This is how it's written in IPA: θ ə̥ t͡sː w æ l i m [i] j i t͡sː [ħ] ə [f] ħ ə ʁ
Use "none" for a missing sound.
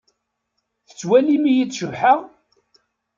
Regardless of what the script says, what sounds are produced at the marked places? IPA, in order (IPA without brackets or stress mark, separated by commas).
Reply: i, ʃ, v